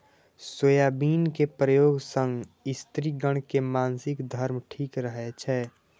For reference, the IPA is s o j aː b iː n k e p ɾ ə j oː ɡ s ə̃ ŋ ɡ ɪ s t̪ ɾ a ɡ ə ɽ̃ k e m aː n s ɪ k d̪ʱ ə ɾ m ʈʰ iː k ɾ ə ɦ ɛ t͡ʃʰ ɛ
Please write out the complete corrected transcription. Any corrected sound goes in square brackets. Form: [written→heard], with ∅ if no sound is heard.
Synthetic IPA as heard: s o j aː b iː n k e p ɾ ə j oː ɡ s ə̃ ŋ ɡ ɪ s t̪ ɾ [a→i] ɡ ə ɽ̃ k e m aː n s ɪ k d̪ʱ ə ɾ m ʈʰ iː k ɾ ə ɦ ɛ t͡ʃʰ ɛ